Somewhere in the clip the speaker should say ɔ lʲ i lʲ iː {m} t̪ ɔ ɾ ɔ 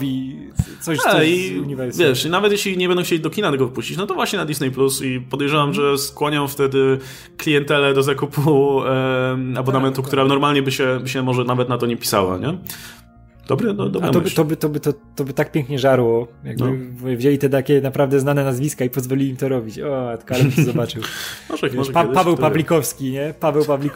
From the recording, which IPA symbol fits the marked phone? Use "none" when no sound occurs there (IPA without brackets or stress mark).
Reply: m